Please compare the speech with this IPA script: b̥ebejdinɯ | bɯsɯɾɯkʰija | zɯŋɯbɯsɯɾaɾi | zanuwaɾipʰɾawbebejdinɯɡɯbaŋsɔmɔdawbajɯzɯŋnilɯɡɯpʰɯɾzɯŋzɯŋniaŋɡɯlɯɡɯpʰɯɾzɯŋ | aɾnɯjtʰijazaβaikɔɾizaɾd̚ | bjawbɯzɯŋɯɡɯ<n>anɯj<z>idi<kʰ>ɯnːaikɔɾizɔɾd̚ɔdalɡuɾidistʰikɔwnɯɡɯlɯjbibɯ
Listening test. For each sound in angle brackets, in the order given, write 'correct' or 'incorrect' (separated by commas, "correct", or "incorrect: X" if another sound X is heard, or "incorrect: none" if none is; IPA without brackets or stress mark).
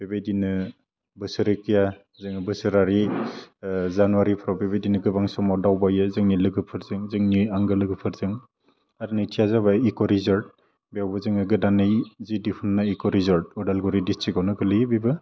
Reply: incorrect: d, correct, incorrect: pʰ